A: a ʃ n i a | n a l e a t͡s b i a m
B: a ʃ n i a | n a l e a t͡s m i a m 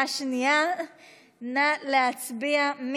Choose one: A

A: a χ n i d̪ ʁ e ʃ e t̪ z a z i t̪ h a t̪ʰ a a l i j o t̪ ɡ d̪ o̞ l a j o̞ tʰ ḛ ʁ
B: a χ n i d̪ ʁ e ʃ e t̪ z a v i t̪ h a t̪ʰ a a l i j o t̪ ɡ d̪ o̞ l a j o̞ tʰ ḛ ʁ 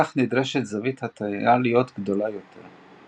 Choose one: B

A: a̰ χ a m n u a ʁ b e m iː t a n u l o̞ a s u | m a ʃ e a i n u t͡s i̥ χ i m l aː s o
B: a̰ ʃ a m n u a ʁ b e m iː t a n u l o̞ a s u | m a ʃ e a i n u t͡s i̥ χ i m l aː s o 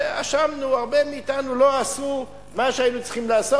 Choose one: B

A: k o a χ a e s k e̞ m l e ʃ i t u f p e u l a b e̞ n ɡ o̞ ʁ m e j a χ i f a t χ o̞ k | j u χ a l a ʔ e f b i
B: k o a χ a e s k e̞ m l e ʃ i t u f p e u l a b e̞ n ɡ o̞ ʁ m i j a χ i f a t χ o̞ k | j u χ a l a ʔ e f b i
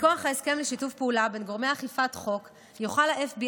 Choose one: A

